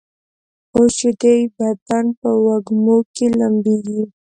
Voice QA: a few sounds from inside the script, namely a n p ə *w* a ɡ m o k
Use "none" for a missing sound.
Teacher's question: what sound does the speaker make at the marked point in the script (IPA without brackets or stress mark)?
w